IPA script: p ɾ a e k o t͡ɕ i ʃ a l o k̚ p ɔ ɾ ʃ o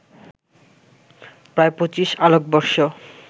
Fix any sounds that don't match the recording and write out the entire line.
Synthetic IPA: p ɾ a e p o t͡ɕ i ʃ a l o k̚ b ɔ ɾ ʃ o